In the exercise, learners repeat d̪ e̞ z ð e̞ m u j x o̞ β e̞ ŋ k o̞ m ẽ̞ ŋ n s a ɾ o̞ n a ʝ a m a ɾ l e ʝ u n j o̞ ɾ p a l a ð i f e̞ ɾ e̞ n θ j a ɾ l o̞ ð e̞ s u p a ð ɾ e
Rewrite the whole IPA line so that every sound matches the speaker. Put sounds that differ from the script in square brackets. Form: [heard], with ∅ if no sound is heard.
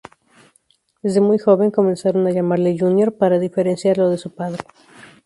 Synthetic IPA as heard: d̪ e̞ z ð e̞ m u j x o̞ β e̞ ŋ k o̞ m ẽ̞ [∅] n s a ɾ o̞ n a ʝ a m a ɾ l e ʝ u n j o̞ ɾ p a [ɾ] a ð i f e̞ ɾ e̞ n [s] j a ɾ l o̞ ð e̞ s u p a ð ɾ e